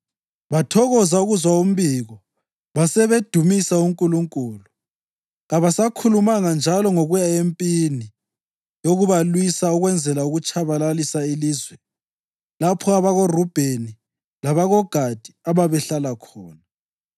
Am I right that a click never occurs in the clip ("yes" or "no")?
yes